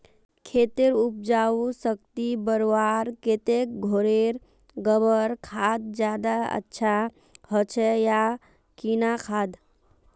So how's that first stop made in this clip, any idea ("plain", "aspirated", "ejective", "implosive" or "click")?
aspirated